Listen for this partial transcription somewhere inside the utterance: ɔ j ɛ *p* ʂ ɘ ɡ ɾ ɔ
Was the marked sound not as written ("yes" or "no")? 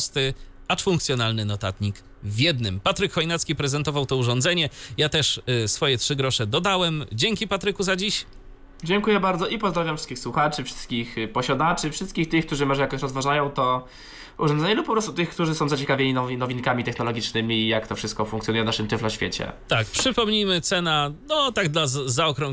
yes